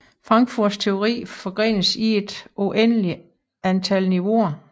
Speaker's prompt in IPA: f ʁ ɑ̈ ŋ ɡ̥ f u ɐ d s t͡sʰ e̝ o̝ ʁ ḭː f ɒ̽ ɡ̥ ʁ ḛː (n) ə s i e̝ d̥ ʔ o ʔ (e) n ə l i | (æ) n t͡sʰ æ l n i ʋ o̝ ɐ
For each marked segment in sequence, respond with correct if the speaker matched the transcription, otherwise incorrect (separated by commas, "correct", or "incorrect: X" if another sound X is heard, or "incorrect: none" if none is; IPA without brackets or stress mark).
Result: correct, correct, correct